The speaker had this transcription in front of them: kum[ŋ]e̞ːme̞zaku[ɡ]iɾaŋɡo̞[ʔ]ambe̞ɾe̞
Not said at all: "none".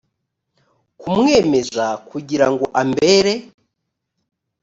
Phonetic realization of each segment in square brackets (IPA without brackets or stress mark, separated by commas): ŋ, ɟ, ʔ